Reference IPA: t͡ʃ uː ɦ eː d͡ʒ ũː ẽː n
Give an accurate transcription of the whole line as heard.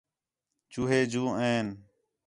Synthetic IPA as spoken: t͡ʃ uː ɦ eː d͡ʒ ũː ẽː n